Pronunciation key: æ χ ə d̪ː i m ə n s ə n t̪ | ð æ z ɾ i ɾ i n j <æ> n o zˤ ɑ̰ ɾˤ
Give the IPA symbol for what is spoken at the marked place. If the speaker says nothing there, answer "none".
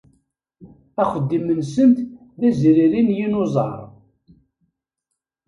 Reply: i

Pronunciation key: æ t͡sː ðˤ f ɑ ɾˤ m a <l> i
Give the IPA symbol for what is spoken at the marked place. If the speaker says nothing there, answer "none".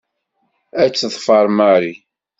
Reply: ɾ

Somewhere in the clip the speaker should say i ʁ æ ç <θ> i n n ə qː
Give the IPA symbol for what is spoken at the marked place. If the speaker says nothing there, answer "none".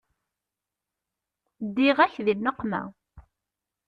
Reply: ð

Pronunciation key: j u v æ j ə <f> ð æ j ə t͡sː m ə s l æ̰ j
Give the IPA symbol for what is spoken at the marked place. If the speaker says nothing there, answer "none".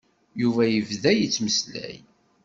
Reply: v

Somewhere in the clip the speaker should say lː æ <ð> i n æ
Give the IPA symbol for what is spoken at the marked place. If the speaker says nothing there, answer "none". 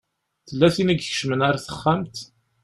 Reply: θ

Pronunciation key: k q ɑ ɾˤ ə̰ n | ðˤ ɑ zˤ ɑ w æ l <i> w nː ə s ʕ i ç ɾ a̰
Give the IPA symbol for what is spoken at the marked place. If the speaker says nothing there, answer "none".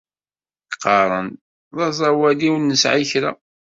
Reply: i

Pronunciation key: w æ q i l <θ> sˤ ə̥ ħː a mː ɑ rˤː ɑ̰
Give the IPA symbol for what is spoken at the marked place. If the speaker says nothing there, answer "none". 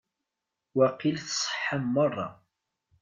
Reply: θ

